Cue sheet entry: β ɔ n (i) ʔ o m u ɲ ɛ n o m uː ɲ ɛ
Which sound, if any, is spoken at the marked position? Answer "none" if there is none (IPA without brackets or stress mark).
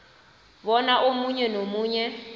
a